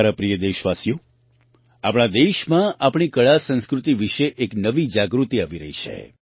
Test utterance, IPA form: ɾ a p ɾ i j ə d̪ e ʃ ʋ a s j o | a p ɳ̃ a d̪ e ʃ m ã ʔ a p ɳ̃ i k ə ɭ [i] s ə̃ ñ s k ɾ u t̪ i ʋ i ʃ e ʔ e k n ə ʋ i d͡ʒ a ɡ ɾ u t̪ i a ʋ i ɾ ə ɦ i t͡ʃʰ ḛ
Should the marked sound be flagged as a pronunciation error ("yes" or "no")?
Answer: yes